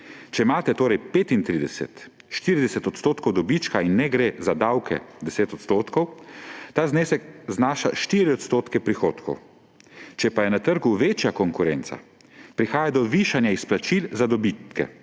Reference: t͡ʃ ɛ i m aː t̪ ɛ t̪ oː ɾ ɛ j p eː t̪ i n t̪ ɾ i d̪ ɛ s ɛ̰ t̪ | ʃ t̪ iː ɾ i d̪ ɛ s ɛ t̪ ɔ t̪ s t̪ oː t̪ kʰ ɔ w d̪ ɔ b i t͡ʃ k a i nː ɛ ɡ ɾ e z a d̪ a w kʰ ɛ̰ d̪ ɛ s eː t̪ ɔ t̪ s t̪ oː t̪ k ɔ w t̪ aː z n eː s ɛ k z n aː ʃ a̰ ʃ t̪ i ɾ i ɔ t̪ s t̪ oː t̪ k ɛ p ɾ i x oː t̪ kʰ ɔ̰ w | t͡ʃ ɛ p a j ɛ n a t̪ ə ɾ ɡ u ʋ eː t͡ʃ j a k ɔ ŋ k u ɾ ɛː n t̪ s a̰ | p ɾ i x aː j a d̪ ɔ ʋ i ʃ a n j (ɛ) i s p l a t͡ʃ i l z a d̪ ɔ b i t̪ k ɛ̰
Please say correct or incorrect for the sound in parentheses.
incorrect